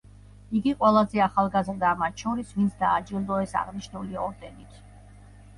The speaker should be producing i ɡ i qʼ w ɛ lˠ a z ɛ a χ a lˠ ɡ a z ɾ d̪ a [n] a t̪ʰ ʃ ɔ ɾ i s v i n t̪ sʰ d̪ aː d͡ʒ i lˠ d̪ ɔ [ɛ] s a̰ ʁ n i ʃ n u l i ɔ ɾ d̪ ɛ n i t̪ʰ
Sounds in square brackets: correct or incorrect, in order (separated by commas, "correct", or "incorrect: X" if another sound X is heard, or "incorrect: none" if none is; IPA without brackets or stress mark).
incorrect: m, correct